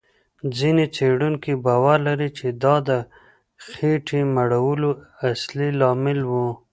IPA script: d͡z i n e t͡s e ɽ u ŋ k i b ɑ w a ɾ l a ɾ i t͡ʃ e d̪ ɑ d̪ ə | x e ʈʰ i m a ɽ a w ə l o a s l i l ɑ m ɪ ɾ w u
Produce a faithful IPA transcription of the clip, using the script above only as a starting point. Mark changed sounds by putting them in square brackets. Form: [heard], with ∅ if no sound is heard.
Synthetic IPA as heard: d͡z i n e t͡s e ɽ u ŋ k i b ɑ w a ɾ l a ɾ i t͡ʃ e d̪ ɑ d̪ ə | x e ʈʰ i m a ɽ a w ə l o a s l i l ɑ m ɪ [l] w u